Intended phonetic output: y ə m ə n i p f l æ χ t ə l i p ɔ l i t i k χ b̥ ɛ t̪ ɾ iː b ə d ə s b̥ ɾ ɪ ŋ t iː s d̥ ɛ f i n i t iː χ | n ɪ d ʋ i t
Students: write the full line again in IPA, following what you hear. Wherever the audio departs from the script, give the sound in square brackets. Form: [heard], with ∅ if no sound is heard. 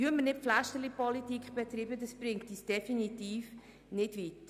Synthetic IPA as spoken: y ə m ə n [ɪ] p f l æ [ʃ] t ə l i p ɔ l i t i k χ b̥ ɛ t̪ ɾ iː b ə d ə s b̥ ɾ ɪ ŋ t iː s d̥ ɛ f i n i t iː [f] | n ɪ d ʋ i t